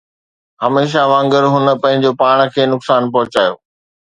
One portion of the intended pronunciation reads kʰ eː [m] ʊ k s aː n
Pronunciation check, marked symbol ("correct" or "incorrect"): incorrect